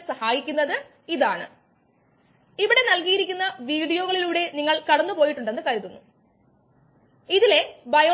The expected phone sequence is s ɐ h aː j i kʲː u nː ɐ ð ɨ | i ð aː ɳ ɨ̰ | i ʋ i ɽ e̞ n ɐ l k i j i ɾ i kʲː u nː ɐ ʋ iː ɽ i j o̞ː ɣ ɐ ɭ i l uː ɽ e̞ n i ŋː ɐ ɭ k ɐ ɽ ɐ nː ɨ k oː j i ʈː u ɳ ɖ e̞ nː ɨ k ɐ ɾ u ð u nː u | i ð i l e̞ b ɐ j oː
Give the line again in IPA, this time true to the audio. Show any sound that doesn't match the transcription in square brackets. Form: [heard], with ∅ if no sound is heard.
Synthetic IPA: s ɐ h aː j i kʲː u nː ɐ ð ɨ | i ð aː ɳ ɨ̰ | i ʋ i ɽ e̞ n ɐ l k i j i ɾ i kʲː u nː ɐ ʋ iː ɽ i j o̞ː ɣ ɐ ɭ i l uː ɽ e̞ n i ŋː ɐ ɭ k ɐ ɽ ɐ nː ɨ [p] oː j i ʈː u ɳ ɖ e̞ nː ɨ k ɐ ɾ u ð u nː u | i ð i l e̞ b ɐ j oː

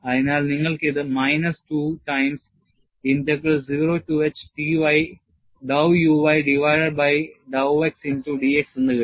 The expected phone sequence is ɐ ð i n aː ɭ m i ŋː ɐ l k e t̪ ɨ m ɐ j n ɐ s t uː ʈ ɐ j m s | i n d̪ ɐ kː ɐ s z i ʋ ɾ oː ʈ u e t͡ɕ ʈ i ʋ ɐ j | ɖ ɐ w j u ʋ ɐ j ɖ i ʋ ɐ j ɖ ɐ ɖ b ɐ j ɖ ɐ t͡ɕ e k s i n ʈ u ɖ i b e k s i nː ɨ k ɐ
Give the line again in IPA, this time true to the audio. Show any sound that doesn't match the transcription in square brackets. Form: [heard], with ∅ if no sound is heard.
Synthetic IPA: ɐ ð i n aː ɭ [n] i ŋː ɐ [ɭ] k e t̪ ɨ m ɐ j n ɐ s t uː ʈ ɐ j m s | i n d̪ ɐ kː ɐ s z i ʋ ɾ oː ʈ u e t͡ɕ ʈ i ʋ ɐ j | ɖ ɐ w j u ʋ ɐ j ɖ i ʋ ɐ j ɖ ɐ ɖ b ɐ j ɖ ɐ [∅] e k s i n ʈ u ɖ i [∅] e k s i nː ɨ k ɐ

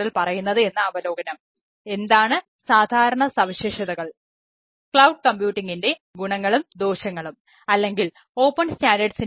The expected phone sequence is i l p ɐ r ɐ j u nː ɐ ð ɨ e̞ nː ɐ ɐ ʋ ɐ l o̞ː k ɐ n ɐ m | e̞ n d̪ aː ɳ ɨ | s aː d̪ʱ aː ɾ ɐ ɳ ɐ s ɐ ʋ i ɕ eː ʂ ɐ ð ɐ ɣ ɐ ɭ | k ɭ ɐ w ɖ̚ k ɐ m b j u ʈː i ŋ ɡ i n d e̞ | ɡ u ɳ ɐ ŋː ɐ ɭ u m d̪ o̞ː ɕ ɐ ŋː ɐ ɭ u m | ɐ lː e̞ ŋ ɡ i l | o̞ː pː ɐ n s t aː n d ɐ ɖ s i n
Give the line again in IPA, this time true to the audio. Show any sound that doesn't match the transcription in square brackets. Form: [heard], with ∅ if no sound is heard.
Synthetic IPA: i l p ɐ r ɐ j u nː ɐ ð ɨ e̞ nː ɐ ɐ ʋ ɐ l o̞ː [ɡ] ɐ n ɐ m | e̞ n d̪ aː ɳ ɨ | s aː d̪ʱ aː ɾ ɐ ɳ ɐ s ɐ ʋ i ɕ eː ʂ ɐ ð ɐ ɣ ɐ ɭ | k ɭ ɐ w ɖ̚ k ɐ m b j [uː] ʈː i ŋ ɡ i n d e̞ | ɡ u ɳ ɐ ŋː ɐ ɭ u m d̪ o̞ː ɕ ɐ ŋː ɐ ɭ u m | ɐ lː e̞ ŋ ɡ i l | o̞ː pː ɐ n s t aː n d ɐ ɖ s i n

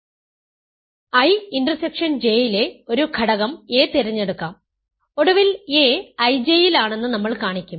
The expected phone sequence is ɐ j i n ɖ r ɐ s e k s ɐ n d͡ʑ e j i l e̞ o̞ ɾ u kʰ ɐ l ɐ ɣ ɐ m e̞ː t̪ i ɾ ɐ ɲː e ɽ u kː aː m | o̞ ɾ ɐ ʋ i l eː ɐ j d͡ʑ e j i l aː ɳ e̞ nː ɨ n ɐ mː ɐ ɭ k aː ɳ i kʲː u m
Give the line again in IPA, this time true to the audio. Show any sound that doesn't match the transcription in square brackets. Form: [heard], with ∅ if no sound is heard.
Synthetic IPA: ɐ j i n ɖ r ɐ s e k [ʂ] ɐ n d͡ʑ e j i l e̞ o̞ ɾ u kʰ ɐ [ɽ] ɐ ɣ ɐ m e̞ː t̪ i ɾ ɐ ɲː e ɽ u kː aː m | o̞ [ɽ] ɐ ʋ i l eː ɐ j d͡ʑ e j i l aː ɳ e̞ nː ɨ n ɐ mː ɐ ɭ k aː ɳ i kʲː u m

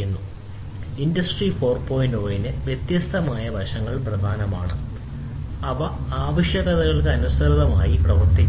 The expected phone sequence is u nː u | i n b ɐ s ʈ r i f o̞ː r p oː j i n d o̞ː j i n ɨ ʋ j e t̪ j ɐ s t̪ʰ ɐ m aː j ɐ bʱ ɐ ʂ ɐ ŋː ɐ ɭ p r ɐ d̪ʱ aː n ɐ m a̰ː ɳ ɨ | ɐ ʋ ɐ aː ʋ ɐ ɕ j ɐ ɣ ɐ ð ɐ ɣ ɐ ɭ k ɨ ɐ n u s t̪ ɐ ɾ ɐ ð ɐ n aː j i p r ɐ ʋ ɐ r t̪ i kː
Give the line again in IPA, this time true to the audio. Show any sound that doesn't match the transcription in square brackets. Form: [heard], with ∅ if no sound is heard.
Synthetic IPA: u nː u | i n [d] ɐ s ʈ r i f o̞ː r p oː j i n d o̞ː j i n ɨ ʋ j e t̪ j ɐ s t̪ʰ ɐ m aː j ɐ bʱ ɐ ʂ ɐ ŋː ɐ ɭ p r ɐ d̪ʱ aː n ɐ m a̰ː ɳ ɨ | ɐ ʋ ɐ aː ʋ ɐ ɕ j ɐ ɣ ɐ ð ɐ ɣ ɐ ɭ k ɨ ɐ n u s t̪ ɐ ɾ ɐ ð ɐ [m] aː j i p r ɐ ʋ ɐ r t̪ i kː

